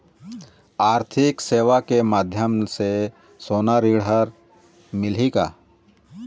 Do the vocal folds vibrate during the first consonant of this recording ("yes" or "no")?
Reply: yes